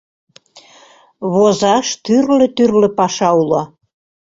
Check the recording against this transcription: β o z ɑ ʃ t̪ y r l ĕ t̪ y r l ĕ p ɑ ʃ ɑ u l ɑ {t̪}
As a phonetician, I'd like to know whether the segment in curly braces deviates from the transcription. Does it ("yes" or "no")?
yes